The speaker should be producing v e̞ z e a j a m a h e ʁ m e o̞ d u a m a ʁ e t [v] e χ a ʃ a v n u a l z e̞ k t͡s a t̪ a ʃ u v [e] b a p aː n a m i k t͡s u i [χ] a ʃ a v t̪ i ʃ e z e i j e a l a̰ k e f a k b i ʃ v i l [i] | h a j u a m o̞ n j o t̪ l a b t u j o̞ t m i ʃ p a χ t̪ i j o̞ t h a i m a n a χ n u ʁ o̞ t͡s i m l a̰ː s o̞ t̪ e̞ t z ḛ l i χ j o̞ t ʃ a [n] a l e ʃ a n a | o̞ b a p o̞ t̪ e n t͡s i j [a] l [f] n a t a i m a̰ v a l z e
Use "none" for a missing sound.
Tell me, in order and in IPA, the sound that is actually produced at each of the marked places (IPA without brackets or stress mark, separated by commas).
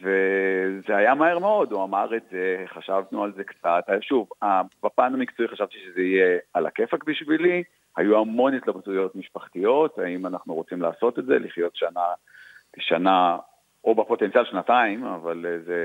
z, a, χ, i, n, a, ʃ